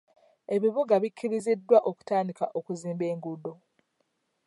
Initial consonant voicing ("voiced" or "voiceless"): voiced